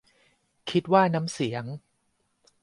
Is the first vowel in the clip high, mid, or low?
high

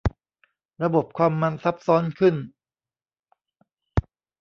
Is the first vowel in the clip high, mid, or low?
low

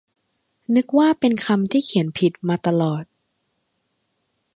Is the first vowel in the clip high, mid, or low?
high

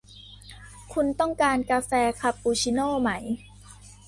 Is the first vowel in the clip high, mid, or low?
high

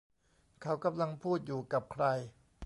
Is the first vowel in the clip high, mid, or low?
low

